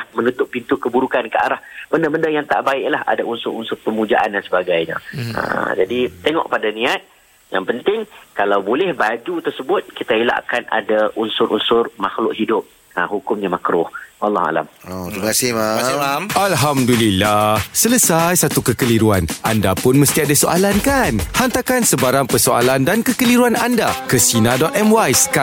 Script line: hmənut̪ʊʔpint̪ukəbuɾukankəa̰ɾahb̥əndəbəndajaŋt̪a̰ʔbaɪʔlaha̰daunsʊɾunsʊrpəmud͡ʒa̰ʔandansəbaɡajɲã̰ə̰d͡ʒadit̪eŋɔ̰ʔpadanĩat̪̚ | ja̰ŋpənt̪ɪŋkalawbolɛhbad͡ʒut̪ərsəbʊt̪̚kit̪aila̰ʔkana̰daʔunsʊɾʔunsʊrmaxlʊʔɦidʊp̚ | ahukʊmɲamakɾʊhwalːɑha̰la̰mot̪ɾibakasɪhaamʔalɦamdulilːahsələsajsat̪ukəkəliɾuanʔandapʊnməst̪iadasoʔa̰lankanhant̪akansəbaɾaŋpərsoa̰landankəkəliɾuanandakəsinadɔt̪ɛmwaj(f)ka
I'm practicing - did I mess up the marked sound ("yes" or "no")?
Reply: yes